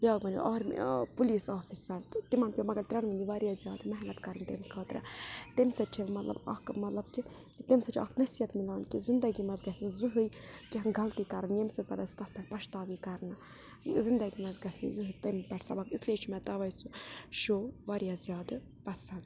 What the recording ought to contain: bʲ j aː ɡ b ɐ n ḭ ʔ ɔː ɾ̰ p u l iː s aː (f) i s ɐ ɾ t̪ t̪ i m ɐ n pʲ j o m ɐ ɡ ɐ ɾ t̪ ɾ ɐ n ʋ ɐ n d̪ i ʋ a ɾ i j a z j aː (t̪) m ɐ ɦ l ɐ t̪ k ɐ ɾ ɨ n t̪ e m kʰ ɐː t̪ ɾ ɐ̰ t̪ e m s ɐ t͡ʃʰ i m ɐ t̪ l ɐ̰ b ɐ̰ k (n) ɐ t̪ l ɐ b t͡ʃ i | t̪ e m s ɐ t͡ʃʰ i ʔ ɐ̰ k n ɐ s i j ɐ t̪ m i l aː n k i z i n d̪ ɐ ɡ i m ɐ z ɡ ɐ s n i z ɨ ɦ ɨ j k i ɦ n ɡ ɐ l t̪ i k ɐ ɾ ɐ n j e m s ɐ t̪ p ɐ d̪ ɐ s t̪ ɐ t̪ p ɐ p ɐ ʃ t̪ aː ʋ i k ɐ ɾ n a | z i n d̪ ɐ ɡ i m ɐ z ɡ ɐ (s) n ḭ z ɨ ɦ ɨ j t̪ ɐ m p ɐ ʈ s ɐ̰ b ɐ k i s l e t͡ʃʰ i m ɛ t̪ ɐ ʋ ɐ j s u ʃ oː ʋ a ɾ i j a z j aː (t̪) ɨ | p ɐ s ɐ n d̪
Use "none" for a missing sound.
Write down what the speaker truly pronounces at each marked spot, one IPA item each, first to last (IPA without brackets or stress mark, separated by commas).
f, d̪, m, s, d̪